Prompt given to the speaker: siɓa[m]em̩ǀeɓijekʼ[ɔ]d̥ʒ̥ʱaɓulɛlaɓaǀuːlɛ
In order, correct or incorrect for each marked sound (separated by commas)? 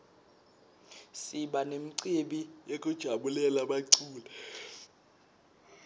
incorrect, incorrect